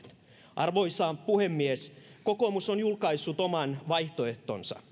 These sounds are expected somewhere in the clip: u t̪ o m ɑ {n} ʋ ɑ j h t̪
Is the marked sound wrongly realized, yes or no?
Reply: no